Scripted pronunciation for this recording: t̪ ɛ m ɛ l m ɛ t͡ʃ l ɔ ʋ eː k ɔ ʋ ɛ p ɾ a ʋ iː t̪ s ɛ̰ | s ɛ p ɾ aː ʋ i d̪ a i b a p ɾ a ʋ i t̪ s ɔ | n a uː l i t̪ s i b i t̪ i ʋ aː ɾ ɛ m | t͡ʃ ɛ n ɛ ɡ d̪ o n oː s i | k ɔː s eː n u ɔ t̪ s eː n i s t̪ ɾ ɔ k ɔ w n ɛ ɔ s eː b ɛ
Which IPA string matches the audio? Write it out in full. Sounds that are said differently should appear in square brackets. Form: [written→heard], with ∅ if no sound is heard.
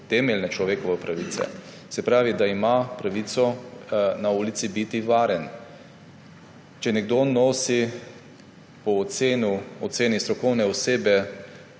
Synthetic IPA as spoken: t̪ ɛ m ɛ l [m→n] ɛ t͡ʃ l ɔ ʋ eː k ɔ ʋ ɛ p ɾ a ʋ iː t̪ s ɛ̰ | s ɛ p ɾ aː ʋ i d̪ a i [b→m] a p ɾ a ʋ i t̪ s ɔ | n a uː l i t̪ s i b i t̪ i ʋ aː ɾ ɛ [m→n] | t͡ʃ ɛ n ɛ ɡ d̪ o n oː s i | [k→p] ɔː s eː n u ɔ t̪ s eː n i s t̪ ɾ ɔ k ɔ w n ɛ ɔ s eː b ɛ